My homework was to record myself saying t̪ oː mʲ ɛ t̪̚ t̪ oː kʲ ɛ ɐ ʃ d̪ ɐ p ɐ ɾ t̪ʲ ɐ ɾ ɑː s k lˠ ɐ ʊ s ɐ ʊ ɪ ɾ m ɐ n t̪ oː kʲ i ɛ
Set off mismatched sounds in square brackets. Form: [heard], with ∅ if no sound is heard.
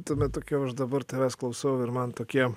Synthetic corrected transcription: t̪ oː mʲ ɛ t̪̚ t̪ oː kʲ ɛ ɐ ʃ d̪ ɐ [b] ɐ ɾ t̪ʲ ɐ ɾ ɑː s k lˠ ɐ ʊ s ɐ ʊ ɪ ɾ m ɐ n t̪ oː kʲ i ɛ

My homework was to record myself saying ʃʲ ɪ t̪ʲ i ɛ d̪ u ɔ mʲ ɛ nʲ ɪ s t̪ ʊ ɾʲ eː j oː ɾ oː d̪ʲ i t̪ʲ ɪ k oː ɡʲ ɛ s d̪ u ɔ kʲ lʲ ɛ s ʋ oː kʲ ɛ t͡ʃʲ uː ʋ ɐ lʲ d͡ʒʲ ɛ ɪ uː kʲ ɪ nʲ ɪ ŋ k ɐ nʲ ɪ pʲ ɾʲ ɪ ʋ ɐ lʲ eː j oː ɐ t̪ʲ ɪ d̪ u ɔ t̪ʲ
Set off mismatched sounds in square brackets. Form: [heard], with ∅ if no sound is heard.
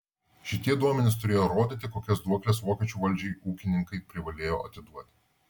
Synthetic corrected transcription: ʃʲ ɪ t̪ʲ i ɛ d̪ u ɔ mʲ ɛ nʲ ɪ s t̪ ʊ ɾʲ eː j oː ɾ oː d̪ʲ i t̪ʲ ɪ k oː [kʲ] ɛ s d̪ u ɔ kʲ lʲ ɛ s ʋ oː kʲ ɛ t͡ʃʲ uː ʋ ɐ lʲ d͡ʒʲ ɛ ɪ uː kʲ ɪ nʲ ɪ ŋ k ɐ [∅] ɪ pʲ ɾʲ ɪ ʋ ɐ lʲ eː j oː ɐ t̪ʲ ɪ d̪ u ɔ t̪ʲ

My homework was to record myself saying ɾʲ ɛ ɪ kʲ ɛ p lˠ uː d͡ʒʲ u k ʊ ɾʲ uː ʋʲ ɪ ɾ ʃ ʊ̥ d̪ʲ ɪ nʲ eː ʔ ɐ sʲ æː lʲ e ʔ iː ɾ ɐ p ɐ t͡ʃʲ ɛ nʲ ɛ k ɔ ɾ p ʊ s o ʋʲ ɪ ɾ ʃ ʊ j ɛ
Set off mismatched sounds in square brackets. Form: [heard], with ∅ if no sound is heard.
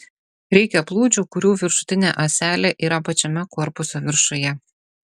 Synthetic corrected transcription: ɾʲ ɛ ɪ kʲ ɛ p lˠ uː d͡ʒʲ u k ʊ ɾʲ uː ʋʲ ɪ ɾ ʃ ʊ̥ [t̪ʲ] ɪ nʲ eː ʔ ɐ sʲ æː lʲ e ʔ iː ɾ ɐ p ɐ t͡ʃʲ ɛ [mʲ] ɛ k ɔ ɾ p ʊ s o ʋʲ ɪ ɾ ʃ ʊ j ɛ

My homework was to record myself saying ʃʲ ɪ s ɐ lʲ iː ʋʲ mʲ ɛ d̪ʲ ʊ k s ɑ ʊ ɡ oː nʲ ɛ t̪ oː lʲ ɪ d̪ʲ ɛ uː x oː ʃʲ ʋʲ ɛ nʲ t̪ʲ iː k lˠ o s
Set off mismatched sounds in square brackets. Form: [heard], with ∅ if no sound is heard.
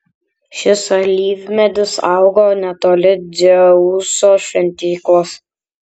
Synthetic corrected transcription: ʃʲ ɪ s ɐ lʲ iː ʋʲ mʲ ɛ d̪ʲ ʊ [∅] s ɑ ʊ ɡ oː nʲ ɛ t̪ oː lʲ ɪ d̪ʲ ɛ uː [s] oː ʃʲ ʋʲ ɛ nʲ t̪ʲ iː k lˠ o s

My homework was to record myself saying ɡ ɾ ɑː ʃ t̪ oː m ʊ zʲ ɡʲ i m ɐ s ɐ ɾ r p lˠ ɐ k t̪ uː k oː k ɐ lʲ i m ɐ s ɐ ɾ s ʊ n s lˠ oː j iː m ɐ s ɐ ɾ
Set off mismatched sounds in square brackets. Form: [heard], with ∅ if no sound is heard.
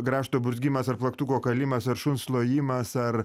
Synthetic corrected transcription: ɡ ɾ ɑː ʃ t̪ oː [b] ʊ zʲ ɡʲ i m ɐ s ɐ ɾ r p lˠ ɐ k t̪ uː k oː k ɐ lʲ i m ɐ s ɐ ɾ [ʃ] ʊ n s lˠ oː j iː m ɐ s ɐ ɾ

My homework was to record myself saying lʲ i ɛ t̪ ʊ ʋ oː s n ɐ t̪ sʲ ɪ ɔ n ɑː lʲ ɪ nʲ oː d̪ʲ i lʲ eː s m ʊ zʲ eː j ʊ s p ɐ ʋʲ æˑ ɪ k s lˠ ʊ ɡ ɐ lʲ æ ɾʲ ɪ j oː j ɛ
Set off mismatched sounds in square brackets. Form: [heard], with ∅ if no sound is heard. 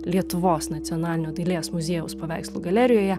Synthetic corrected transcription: lʲ i ɛ t̪ ʊ ʋ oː s n ɐ t̪ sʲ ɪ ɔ n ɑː lʲ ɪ nʲ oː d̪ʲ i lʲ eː s m ʊ zʲ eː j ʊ s p ɐ ʋʲ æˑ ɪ k s lˠ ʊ ɡ ɐ lʲ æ ɾʲ ɪ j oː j ɛ

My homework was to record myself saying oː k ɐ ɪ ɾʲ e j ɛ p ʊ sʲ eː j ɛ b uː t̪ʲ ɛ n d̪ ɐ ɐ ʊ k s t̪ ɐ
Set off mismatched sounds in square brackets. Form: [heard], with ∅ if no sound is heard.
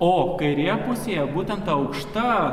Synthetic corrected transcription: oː k ɐ ɪ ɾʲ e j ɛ p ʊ sʲ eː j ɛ b uː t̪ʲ ɛ n [t̪] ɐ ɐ ʊ k [ʃ] t̪ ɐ

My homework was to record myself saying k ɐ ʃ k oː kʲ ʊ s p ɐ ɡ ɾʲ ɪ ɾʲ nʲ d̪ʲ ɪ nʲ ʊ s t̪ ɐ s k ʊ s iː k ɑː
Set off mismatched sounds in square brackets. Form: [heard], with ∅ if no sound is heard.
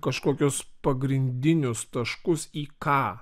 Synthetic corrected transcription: k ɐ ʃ k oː kʲ ʊ s p ɐ ɡ ɾʲ ɪ [∅] nʲ d̪ʲ ɪ nʲ ʊ s t̪ ɐ [ʃ] k ʊ s iː k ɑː

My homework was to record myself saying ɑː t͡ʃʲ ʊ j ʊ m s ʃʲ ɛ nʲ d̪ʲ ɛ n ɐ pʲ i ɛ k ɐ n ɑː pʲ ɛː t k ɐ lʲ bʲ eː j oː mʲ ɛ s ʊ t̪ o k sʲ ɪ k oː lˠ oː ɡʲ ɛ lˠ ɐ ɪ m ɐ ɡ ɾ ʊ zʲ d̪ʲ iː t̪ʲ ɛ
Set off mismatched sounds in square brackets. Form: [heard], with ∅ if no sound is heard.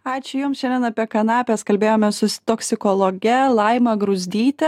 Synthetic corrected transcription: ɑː t͡ʃʲ ʊ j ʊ m s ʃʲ ɛ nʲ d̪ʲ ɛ n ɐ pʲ i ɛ k ɐ n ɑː pʲ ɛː [s] k ɐ lʲ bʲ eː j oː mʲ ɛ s ʊ t̪ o k sʲ ɪ k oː lˠ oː ɡʲ ɛ lˠ ɐ ɪ m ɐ ɡ ɾ ʊ zʲ d̪ʲ iː t̪ʲ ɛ

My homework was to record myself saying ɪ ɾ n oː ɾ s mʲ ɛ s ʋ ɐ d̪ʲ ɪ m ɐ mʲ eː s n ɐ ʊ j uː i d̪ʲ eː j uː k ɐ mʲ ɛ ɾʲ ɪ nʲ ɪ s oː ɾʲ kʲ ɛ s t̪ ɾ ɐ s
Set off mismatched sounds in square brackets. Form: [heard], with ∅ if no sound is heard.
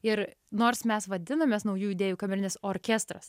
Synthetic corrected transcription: ɪ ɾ n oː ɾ s mʲ ɛ s ʋ ɐ d̪ʲ ɪ [n] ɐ mʲ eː s n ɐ ʊ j uː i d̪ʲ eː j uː k ɐ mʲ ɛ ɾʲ ɪ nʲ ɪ s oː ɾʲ kʲ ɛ s t̪ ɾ ɐ s

